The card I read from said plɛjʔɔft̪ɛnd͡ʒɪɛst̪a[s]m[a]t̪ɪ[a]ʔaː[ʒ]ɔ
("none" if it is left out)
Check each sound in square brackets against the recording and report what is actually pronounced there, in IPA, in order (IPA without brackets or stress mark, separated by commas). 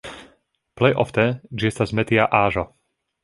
z, ɛ, a, ʒ